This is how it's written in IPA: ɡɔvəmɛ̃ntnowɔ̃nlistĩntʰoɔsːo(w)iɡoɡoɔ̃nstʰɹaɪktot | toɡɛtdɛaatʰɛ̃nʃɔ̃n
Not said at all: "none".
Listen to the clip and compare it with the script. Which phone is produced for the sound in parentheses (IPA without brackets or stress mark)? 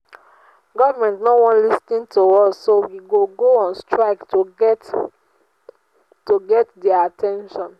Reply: w